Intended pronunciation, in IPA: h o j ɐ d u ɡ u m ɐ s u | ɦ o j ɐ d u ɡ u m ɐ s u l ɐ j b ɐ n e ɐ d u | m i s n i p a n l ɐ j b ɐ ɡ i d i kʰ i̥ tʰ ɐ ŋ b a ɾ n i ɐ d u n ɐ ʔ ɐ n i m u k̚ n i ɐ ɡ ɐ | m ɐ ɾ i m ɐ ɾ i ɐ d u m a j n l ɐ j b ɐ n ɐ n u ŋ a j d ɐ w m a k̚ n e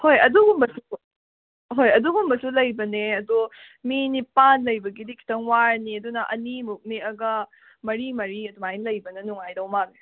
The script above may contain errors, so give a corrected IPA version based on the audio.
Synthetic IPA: h o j ɐ d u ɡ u m ɐ s u | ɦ o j ɐ d u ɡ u m ɐ s u l ɐ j b ɐ n e ɐ d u | m i n i p a n l ɐ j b ɐ ɡ i d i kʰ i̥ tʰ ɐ ŋ w a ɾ n i ɐ d u n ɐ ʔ ɐ n i m u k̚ n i ɐ ɡ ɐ | m ɐ ɾ i m ɐ ɾ i ɐ d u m a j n l ɐ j b ɐ n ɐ n u ŋ a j d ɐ w m a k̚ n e